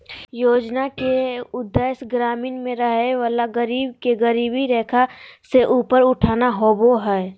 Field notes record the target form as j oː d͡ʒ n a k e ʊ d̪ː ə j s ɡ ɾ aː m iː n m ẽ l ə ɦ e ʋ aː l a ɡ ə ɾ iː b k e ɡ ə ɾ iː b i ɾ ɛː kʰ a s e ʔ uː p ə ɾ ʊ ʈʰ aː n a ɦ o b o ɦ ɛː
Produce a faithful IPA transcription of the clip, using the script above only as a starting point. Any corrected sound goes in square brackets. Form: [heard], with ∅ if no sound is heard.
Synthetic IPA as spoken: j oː d͡ʒ n a k e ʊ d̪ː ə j s ɡ ɾ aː m iː n m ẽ [ɾ] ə ɦ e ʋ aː l a ɡ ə ɾ iː b k e ɡ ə ɾ iː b i ɾ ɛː kʰ a s e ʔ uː p ə ɾ ʊ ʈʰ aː n a ɦ o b o ɦ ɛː